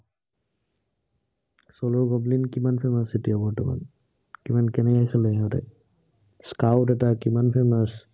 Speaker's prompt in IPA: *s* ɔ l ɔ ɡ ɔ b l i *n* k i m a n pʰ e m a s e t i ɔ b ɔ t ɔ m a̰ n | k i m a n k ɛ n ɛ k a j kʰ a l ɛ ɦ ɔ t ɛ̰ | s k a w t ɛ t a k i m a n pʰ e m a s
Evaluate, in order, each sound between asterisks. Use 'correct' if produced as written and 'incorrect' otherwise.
correct, correct

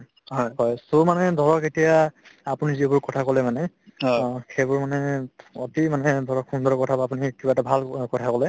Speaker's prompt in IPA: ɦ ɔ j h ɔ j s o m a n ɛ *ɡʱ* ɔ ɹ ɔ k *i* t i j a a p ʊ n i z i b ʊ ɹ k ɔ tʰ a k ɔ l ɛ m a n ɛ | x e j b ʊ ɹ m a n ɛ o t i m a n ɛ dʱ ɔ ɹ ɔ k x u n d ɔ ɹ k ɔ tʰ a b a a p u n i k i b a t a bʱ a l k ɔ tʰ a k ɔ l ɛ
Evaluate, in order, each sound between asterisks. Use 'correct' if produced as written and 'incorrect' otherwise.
incorrect: dʱ, incorrect: e

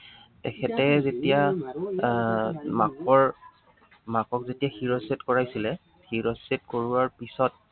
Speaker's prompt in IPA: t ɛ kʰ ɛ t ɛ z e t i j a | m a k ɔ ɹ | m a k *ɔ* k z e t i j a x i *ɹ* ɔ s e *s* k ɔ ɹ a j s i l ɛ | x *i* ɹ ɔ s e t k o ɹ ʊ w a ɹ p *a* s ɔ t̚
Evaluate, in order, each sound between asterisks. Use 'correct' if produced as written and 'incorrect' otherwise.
correct, correct, incorrect: t, correct, incorrect: i

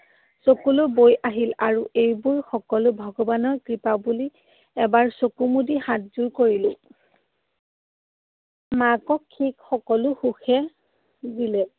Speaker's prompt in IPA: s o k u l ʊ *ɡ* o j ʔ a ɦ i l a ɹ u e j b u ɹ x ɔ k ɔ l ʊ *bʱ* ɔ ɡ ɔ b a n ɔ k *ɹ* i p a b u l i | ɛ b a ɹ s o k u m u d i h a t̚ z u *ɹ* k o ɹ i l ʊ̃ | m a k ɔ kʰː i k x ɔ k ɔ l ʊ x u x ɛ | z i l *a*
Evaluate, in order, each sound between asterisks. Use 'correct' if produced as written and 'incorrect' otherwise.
incorrect: b, correct, correct, correct, incorrect: ɛ

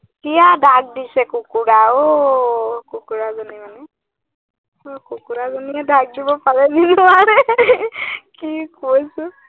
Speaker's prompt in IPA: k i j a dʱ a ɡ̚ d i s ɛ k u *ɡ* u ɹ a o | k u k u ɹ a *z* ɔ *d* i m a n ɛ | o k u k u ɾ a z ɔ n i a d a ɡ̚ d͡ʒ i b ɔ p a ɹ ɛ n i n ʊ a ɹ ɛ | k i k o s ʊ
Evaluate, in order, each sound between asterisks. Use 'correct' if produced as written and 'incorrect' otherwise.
incorrect: k, correct, incorrect: n

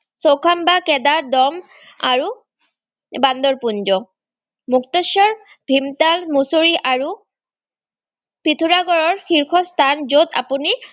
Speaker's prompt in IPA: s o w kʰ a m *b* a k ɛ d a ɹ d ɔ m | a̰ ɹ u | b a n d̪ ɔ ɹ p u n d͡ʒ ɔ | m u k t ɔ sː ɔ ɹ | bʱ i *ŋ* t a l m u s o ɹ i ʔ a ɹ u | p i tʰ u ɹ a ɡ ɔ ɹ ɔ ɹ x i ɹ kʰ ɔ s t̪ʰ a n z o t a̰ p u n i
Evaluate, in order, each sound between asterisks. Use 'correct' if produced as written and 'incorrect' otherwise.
correct, incorrect: m

